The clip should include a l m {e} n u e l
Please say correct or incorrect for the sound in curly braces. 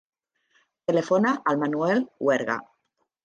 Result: incorrect